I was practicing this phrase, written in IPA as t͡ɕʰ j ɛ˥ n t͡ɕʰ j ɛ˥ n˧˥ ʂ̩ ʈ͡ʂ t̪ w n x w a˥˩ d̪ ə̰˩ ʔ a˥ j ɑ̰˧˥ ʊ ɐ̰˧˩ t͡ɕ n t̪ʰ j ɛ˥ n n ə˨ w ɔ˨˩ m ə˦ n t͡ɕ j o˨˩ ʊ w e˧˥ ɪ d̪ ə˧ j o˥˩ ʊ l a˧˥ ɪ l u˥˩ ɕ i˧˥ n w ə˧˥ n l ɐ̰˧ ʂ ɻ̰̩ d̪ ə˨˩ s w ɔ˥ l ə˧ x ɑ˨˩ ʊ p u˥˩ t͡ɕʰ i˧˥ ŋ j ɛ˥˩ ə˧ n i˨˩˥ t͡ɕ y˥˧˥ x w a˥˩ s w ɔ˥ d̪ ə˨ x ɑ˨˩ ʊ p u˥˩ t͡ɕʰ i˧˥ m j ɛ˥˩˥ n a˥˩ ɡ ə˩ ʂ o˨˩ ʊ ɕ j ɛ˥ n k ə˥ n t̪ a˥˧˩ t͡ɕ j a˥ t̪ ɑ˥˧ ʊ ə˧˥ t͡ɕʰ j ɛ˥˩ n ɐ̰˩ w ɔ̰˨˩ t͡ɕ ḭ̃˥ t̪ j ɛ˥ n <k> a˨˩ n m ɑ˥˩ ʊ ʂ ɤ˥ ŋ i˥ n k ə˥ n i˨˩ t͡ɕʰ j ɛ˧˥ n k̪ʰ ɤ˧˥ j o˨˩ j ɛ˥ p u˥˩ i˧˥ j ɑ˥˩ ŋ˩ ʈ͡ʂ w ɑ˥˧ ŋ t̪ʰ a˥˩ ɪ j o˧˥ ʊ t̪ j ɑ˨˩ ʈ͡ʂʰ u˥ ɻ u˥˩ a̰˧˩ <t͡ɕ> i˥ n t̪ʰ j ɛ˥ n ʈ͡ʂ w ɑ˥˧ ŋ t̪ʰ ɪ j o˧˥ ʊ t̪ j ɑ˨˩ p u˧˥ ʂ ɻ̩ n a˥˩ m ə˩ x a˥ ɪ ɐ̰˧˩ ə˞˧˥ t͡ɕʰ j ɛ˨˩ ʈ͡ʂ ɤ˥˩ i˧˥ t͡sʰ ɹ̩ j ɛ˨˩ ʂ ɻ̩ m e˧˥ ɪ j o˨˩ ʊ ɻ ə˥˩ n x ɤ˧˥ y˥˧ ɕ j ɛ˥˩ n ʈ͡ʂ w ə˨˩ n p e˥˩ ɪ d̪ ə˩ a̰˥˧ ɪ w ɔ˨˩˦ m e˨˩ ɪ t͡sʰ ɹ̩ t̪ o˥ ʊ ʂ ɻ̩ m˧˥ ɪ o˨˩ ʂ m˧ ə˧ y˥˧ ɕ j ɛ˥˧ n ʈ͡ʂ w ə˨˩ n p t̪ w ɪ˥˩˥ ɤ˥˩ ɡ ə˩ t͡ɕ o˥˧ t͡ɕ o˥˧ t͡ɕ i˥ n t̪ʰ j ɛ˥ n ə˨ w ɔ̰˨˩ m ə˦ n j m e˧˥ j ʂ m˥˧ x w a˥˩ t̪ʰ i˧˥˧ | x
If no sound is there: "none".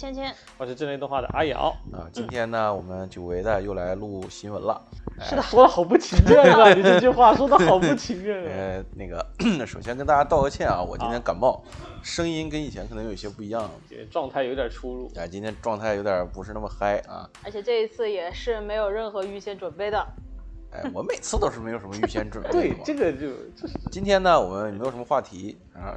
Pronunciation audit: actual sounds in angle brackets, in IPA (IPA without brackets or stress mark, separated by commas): k, t͡ɕ